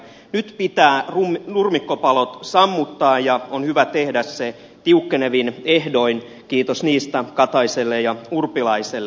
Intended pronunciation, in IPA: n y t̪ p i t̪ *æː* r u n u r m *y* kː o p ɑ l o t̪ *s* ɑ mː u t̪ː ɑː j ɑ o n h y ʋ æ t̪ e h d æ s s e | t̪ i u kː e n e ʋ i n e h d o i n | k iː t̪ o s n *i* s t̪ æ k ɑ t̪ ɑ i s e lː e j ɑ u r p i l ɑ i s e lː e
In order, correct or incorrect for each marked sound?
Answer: correct, incorrect: i, correct, incorrect: iː

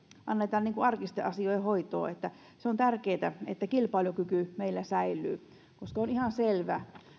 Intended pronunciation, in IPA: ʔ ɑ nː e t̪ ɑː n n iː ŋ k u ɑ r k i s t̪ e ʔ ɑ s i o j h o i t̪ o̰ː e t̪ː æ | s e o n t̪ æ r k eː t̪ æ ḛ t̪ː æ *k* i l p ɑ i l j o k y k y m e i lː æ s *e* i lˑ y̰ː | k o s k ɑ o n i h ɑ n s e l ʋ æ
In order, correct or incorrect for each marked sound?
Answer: correct, incorrect: æ

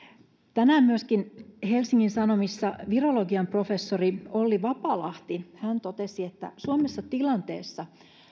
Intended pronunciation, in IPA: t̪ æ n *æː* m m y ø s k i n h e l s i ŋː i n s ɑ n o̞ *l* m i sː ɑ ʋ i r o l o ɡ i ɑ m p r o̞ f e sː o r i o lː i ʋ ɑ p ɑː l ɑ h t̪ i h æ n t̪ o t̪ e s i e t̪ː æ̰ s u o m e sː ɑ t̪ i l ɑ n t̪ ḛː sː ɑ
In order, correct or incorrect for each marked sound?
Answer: correct, incorrect: none

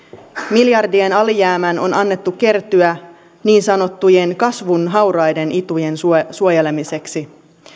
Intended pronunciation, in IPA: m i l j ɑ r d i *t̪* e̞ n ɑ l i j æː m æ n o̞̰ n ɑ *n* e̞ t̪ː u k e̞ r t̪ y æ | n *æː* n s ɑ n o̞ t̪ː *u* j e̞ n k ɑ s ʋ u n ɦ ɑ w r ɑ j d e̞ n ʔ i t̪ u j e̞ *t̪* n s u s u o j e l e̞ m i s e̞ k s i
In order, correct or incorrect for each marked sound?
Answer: incorrect: none, incorrect: nː, incorrect: iː, correct, incorrect: none

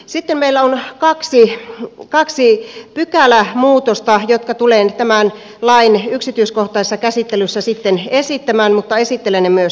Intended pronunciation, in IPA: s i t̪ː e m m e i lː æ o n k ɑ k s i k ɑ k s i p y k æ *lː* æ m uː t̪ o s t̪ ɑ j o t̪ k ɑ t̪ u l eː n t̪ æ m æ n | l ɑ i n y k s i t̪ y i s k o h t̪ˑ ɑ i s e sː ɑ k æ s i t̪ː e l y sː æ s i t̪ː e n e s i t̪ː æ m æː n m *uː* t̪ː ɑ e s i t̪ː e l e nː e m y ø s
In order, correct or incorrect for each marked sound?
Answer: incorrect: l, incorrect: u

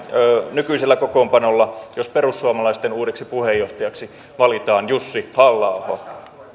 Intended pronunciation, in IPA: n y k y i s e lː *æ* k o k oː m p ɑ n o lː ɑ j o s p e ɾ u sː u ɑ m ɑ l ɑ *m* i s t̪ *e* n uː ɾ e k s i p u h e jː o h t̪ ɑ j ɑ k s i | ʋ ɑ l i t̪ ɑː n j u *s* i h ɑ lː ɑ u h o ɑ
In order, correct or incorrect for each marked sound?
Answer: correct, incorrect: none, correct, incorrect: sː

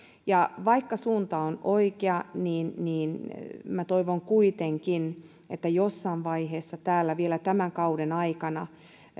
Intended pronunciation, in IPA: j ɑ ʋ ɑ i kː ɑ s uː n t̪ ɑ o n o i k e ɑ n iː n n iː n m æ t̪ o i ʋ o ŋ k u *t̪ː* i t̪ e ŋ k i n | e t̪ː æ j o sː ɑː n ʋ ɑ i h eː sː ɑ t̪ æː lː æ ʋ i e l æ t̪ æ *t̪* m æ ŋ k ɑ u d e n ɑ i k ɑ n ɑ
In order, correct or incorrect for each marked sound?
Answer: incorrect: none, incorrect: none

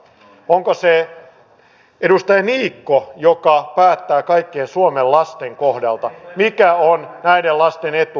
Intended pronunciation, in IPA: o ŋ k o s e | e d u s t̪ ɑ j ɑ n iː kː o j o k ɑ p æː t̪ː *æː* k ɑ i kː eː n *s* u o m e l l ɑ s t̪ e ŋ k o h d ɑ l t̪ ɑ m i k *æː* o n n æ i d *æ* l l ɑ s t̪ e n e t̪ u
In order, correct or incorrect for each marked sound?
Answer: correct, correct, incorrect: æ, incorrect: e

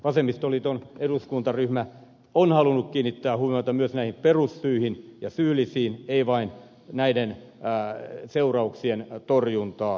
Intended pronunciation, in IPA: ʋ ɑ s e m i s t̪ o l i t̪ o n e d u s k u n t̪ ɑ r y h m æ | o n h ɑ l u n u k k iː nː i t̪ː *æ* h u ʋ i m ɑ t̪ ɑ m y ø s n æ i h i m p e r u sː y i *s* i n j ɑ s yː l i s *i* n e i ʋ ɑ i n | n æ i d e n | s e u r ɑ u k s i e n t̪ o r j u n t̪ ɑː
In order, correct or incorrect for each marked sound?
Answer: incorrect: æː, incorrect: h, incorrect: iː

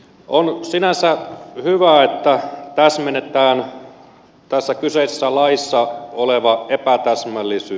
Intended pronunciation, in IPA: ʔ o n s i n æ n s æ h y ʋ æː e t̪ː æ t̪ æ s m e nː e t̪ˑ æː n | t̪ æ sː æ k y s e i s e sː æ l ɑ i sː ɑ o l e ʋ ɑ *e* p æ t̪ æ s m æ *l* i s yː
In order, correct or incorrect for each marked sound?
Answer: correct, incorrect: lː

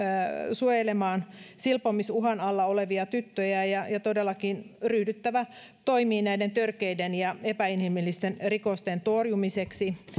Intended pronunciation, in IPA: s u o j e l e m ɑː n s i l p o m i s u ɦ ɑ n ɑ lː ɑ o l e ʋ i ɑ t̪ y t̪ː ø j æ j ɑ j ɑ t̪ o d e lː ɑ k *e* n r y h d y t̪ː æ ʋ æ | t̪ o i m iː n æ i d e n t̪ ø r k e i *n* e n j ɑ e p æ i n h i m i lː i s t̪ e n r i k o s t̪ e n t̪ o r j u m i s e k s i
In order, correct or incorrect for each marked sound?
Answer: incorrect: i, incorrect: d

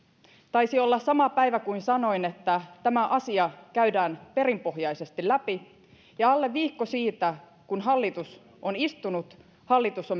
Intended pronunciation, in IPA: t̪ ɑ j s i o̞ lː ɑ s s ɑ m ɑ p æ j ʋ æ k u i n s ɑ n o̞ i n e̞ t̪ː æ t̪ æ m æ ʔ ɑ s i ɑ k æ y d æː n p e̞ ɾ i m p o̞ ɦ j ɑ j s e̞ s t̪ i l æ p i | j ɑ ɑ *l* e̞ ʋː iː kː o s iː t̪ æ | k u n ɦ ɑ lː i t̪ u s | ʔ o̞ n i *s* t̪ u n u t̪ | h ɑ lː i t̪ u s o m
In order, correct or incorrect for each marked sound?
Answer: incorrect: lː, correct

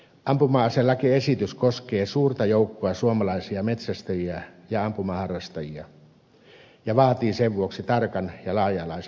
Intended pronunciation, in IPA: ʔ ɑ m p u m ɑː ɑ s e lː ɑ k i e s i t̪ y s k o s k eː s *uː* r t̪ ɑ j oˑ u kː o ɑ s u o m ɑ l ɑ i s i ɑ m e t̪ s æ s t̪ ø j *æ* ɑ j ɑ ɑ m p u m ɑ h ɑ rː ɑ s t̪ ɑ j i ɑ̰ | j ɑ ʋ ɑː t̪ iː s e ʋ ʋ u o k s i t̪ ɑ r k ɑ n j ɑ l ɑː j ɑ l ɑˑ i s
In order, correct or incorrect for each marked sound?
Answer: correct, incorrect: i

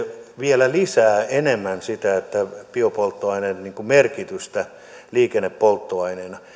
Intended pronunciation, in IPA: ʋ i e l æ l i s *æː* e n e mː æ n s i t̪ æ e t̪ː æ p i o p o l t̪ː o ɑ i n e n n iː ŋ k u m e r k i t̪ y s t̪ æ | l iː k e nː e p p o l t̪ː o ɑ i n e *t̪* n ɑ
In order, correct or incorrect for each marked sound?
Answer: correct, incorrect: none

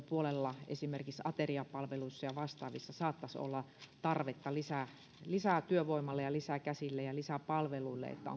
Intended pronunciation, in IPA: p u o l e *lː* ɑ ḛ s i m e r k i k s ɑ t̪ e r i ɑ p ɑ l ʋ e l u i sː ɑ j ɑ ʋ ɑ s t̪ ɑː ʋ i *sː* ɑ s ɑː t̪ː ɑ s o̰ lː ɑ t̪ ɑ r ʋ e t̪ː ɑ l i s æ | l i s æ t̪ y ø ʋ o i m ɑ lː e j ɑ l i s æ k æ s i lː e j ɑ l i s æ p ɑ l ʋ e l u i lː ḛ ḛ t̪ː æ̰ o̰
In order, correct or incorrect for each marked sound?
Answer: correct, correct

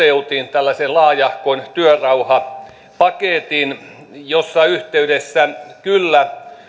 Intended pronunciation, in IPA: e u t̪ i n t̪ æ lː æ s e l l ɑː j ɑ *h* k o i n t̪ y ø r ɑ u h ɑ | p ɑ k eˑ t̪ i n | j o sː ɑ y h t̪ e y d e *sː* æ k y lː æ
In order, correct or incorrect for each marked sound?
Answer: correct, correct

